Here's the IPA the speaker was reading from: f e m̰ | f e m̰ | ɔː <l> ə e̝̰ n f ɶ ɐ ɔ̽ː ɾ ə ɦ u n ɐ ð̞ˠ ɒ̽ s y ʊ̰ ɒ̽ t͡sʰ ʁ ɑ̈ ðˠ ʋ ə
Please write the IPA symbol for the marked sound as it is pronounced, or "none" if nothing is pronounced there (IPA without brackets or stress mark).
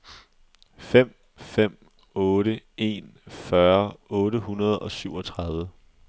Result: ɾ